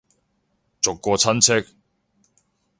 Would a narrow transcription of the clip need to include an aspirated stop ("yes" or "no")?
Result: yes